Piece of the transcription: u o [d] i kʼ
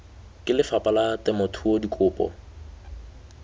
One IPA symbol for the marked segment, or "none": d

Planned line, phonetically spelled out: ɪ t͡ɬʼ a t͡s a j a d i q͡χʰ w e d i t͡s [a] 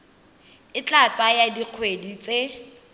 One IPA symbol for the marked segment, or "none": e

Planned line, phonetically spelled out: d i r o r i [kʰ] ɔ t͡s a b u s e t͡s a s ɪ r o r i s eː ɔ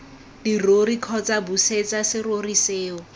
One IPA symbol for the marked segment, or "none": kʰ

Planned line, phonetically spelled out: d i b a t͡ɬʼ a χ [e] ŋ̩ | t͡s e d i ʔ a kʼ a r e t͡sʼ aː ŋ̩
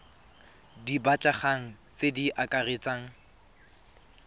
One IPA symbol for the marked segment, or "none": a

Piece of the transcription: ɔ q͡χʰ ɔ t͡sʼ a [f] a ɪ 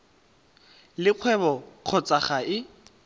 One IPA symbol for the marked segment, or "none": χ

